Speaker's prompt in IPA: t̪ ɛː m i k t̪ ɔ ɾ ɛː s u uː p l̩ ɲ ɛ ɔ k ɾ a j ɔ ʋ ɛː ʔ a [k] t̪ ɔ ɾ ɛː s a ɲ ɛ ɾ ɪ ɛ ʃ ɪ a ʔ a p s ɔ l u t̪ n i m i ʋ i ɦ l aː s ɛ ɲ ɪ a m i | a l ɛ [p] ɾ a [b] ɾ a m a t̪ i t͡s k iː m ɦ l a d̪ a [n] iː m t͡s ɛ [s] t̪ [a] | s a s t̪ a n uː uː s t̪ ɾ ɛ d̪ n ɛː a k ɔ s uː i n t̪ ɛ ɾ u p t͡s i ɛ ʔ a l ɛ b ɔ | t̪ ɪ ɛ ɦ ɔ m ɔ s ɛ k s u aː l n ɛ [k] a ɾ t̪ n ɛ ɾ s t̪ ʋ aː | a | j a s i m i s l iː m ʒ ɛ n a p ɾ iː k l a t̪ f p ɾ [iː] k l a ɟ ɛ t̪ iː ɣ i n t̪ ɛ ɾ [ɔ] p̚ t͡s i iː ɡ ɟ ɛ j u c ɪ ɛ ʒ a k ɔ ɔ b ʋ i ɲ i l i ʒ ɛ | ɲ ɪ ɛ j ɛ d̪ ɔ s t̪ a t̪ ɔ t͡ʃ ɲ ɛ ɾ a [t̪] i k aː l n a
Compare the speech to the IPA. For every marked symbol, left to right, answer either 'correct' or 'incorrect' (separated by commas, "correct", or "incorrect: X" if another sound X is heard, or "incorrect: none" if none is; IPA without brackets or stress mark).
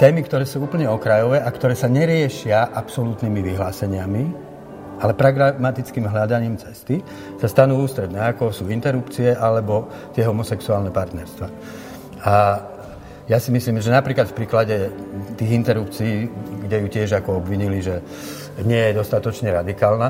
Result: correct, correct, incorrect: ɡ, incorrect: ɲ, correct, incorrect: i, incorrect: p, correct, incorrect: u, incorrect: d̪